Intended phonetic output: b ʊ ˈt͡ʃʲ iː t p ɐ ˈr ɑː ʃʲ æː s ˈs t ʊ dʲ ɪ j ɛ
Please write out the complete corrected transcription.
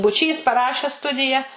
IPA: b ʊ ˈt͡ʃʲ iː s p ɐ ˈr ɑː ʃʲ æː s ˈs t ʊ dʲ ɪ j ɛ